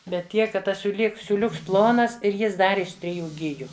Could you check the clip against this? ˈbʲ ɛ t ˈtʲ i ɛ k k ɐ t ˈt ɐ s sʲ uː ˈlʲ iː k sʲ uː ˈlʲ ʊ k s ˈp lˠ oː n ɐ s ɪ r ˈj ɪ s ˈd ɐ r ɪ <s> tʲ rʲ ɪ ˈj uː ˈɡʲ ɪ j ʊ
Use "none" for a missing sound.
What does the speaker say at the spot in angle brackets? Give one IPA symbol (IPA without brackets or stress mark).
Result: ʃ